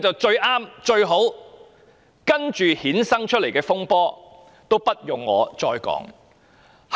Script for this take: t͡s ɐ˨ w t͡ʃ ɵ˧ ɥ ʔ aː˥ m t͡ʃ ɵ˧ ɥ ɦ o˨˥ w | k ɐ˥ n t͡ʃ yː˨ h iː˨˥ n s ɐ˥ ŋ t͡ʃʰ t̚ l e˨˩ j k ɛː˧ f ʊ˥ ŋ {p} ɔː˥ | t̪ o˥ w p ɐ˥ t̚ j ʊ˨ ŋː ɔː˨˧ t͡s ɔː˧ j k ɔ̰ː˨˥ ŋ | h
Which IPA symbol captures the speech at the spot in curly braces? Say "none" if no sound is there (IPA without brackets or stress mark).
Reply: p